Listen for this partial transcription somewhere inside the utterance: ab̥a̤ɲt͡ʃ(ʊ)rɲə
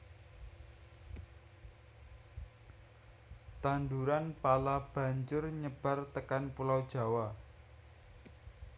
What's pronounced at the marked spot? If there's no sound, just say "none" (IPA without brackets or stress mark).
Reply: ʊ